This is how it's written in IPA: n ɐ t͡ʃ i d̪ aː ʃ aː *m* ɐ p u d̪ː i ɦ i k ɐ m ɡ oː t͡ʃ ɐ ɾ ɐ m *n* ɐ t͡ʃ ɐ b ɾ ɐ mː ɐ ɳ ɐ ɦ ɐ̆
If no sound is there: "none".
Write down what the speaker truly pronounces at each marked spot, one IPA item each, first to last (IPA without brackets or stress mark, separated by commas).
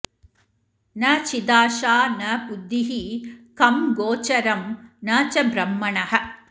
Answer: n, n